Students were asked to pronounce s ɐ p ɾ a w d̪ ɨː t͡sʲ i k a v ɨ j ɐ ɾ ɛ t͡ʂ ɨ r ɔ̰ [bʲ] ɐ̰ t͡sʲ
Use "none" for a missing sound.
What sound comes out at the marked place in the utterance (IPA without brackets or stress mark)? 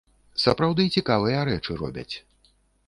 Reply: bʲ